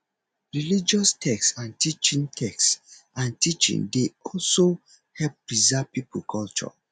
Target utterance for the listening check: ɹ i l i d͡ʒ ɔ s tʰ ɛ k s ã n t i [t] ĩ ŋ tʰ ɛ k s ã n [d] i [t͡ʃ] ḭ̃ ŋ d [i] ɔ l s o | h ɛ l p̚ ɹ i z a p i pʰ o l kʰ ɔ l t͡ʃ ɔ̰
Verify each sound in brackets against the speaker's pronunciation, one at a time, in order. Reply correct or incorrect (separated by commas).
incorrect, incorrect, correct, incorrect